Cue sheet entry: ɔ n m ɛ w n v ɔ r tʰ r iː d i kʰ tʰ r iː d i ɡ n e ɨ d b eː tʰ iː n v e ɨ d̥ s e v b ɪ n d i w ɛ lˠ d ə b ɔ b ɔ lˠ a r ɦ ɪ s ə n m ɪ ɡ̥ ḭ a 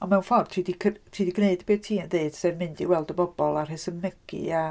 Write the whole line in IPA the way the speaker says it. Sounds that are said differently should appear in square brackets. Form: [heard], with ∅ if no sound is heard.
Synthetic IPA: ɔ n m ɛ w n [f] ɔ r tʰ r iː d i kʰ tʰ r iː d i ɡ n e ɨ d b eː tʰ iː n [ð] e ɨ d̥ s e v [m] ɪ n d i w ɛ lˠ d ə b ɔ b ɔ lˠ a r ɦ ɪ s ə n m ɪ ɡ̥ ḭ a